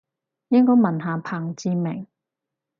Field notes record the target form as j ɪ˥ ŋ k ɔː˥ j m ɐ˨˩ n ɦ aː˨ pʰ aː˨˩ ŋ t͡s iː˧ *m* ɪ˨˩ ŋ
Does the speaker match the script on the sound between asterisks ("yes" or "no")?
yes